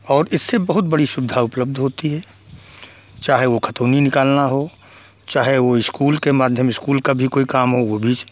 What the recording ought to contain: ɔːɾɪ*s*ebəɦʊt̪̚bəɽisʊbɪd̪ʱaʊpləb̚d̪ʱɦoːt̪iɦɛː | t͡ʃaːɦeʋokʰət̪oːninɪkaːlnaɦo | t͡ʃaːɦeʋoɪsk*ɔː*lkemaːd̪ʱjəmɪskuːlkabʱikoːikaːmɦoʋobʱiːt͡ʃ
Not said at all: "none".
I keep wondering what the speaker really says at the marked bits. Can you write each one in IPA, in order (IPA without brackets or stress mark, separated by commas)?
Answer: sː, uː